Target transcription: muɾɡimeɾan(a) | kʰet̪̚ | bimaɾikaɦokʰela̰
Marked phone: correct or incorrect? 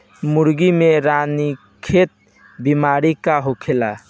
incorrect